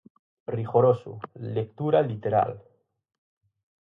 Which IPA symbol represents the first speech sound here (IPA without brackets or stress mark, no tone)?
r